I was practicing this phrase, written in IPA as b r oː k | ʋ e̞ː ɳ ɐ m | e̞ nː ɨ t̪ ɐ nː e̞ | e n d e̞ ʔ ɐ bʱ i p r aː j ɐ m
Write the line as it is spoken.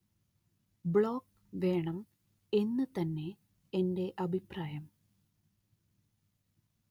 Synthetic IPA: b ɭ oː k | ʋ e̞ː ɳ ɐ m | e̞ nː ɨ t̪ ɐ nː e̞ | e n d e̞ ʔ ɐ bʱ i p r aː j ɐ m